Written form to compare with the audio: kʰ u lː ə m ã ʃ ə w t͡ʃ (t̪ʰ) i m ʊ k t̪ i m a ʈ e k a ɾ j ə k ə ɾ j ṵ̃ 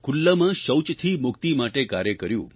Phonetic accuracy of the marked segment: correct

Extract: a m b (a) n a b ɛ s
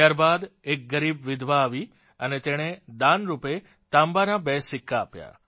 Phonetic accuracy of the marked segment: correct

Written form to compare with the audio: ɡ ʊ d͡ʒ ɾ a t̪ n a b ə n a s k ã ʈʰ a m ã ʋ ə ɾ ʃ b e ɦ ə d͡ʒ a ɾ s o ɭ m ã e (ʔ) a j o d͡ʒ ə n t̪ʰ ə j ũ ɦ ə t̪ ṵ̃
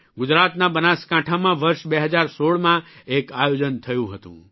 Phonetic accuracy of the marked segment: incorrect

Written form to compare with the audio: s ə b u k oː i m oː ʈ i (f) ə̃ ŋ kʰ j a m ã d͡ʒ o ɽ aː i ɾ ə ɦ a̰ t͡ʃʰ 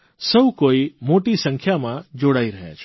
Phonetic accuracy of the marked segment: incorrect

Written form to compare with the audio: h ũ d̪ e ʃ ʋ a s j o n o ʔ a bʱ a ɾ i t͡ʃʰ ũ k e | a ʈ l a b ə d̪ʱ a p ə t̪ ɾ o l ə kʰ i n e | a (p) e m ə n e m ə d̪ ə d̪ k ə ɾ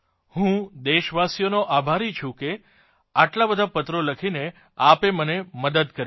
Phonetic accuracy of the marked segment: correct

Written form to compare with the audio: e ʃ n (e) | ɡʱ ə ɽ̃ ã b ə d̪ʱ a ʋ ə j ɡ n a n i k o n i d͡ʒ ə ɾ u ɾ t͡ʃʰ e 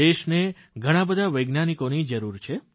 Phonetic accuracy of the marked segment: correct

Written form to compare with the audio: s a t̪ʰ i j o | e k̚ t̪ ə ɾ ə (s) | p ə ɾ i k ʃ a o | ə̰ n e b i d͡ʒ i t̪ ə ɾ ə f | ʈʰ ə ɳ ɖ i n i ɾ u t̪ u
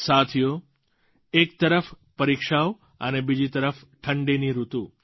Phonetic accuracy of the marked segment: incorrect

